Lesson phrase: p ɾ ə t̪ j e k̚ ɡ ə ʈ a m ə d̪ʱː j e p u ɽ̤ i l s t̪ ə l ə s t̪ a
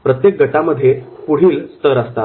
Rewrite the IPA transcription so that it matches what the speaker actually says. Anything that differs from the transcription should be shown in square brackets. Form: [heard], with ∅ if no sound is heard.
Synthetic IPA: p ɾ ə t̪ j e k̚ ɡ ə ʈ a m ə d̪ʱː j e p u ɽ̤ [iː] l s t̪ ə [ɾ] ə s t̪ a